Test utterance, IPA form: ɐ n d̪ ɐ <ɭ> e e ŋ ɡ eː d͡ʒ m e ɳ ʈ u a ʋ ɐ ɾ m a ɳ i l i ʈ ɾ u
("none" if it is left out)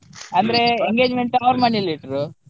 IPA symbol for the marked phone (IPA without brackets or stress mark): ɾ